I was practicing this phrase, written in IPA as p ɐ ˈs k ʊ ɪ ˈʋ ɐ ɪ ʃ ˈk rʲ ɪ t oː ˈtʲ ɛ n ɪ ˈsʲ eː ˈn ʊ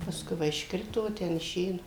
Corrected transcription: p ɐ ˈs k ʊ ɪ ˈʋ ɐ ɪ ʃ ˈk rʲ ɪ t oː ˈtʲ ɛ n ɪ ˈʃʲ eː ˈn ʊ

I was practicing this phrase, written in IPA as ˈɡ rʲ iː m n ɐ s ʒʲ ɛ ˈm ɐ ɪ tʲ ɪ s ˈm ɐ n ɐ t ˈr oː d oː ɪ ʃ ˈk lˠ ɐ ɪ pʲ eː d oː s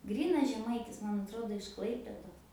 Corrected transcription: ˈɡ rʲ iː n ɐ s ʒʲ ɛ ˈm ɐ ɪ tʲ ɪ s ˈm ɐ n ɐ t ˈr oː d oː ɪ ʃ ˈk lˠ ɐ ɪ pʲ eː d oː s

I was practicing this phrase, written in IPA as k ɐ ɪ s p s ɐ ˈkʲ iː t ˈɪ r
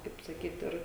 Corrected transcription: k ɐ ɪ p s ɐ ˈkʲ iː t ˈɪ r

